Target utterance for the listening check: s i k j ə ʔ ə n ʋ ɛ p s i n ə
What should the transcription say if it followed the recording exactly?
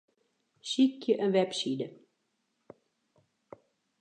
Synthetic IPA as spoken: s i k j ə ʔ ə n ʋ ɛ p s i d ə